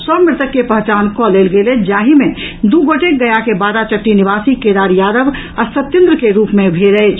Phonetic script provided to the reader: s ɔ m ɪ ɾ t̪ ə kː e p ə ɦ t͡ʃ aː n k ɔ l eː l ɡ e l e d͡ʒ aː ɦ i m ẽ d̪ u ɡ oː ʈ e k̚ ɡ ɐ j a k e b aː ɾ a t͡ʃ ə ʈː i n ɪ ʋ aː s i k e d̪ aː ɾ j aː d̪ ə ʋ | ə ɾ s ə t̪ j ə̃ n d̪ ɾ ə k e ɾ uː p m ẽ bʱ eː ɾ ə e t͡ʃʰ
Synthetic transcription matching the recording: s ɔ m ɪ ɾ t̪ ə kː e p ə ɦ t͡ʃ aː n k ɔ l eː l ɡ e l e d͡ʒ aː ɦ i m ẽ d̪ u ɡ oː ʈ e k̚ ɡ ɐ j a k e b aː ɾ a t͡ʃ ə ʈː i n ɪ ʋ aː s i k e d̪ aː ɾ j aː d̪ ə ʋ | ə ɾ s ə t̪ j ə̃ n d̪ ɾ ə k e ɾ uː p m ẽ bʱ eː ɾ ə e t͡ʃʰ